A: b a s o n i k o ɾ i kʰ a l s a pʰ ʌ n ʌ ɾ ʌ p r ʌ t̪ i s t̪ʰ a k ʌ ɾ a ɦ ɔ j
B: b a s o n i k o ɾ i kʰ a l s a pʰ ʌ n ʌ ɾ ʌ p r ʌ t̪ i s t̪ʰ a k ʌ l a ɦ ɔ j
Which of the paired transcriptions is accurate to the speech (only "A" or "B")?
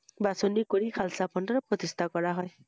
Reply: A